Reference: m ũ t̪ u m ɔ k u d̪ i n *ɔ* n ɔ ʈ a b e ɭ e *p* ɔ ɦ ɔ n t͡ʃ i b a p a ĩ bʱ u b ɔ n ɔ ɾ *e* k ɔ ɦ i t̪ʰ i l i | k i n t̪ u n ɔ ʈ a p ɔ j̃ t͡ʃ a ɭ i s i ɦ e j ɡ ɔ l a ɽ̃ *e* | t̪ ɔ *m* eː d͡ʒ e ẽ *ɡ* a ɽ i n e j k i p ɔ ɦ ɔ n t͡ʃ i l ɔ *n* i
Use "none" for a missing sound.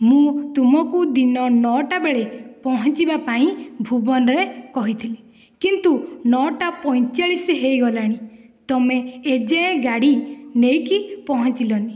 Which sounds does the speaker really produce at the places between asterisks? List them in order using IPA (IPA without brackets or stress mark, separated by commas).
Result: ɔ, p, e, i, m, ɡ, n